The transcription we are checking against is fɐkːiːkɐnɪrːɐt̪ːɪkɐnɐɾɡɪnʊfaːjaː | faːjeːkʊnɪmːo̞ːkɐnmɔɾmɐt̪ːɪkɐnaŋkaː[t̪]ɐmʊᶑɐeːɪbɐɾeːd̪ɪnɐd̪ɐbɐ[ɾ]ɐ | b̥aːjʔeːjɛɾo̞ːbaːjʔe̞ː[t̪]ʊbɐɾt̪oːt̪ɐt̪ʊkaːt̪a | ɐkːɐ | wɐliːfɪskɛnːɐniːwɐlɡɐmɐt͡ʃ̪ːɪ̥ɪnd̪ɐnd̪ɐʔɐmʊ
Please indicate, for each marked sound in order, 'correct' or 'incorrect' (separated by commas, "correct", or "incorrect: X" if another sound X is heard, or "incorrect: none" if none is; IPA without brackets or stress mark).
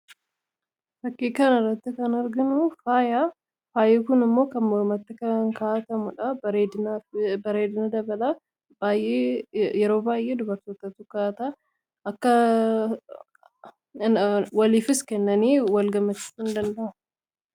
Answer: correct, incorrect: l, incorrect: d̪